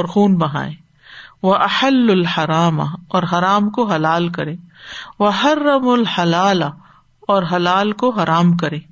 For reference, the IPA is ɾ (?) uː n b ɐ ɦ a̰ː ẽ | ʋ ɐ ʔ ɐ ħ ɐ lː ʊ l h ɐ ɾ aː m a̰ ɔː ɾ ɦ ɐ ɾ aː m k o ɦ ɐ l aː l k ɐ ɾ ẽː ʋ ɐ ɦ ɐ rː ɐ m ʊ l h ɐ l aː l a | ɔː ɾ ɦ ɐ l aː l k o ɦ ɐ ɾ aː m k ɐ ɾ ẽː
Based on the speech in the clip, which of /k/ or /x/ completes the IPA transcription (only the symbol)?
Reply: x